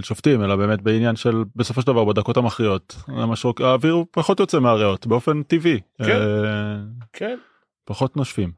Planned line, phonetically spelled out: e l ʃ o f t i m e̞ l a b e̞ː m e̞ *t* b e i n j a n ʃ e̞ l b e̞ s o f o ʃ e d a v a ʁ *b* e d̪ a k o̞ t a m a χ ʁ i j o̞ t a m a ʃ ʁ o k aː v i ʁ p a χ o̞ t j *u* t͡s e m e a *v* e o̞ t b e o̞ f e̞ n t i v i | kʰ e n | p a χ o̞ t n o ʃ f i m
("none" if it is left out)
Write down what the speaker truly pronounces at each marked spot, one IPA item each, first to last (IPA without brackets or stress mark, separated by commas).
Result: t, b, o, ʁ